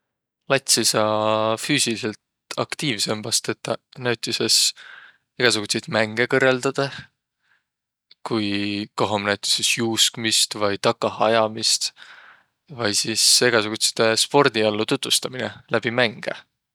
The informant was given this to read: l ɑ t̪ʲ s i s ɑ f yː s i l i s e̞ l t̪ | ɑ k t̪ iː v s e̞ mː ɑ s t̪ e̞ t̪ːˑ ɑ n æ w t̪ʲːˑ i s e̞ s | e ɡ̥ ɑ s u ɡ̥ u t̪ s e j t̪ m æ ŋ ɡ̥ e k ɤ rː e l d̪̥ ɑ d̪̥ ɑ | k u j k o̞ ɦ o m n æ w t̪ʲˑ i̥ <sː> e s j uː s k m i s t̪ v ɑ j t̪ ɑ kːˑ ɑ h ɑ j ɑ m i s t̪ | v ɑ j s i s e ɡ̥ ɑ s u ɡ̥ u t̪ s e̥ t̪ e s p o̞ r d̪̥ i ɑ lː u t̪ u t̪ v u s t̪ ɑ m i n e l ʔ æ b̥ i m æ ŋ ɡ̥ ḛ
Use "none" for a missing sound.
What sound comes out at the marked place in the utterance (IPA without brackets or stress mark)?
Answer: s